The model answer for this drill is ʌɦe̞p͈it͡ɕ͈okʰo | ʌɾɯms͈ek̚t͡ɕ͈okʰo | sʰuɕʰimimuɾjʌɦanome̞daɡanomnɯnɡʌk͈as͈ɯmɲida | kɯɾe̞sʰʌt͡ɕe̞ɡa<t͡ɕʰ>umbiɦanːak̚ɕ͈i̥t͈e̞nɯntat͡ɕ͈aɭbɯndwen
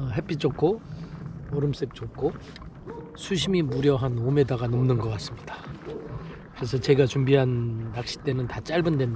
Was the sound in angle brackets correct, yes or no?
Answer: no